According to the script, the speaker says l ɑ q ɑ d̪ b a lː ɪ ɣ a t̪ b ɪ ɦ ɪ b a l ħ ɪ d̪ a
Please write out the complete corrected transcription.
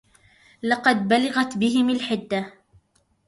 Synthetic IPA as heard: l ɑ q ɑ d̪ b a l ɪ ɣ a t̪ b ɪ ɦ ɪ m a l ħ ɪ d̪ː a